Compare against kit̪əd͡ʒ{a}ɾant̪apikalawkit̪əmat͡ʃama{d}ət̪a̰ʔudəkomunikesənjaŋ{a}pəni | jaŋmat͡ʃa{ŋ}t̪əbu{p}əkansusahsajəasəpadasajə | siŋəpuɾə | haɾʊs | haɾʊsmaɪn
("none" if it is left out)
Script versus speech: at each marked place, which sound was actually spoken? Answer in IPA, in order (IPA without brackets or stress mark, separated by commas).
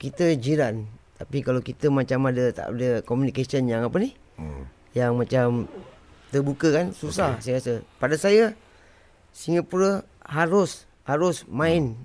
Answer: i, d, a, m, k